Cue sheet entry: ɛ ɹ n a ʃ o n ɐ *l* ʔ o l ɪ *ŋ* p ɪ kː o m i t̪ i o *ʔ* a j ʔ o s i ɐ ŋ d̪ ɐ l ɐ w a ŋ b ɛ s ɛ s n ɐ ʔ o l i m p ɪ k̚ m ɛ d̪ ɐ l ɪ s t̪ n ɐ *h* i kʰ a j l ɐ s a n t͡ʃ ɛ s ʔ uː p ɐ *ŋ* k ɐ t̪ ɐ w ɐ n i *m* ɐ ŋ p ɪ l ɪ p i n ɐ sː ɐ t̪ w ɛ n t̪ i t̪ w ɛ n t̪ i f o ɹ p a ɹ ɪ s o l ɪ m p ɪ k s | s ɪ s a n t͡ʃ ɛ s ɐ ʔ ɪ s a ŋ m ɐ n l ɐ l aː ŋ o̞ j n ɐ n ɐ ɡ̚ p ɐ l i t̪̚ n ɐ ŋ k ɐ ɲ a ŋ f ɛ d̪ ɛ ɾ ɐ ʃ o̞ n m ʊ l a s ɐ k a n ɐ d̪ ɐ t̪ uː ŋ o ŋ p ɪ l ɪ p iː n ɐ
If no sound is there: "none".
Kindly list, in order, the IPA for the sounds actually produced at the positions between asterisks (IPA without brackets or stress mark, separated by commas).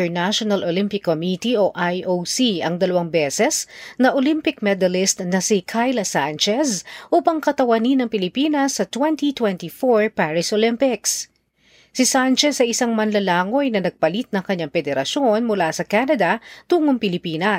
l, m, ʔ, s, ŋ, n